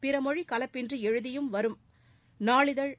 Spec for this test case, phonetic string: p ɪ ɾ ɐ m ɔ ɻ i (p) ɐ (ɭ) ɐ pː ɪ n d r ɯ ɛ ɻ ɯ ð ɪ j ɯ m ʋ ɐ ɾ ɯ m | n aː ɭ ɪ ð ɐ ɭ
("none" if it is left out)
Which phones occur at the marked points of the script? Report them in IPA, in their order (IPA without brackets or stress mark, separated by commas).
k, l